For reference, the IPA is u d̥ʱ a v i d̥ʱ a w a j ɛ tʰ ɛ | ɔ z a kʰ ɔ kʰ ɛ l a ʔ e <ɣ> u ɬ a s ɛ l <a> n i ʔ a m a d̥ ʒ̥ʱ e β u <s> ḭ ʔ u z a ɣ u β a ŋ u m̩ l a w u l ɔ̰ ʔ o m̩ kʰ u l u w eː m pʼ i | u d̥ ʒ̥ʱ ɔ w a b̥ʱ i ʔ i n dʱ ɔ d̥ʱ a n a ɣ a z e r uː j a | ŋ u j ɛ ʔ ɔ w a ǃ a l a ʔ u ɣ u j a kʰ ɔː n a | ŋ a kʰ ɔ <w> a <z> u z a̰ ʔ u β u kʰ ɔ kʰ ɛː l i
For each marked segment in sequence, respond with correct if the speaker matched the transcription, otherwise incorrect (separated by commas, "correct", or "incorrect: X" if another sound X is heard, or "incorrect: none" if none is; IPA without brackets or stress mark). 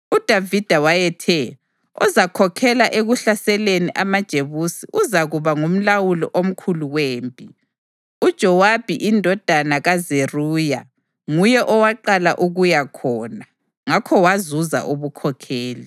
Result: correct, incorrect: e, correct, correct, correct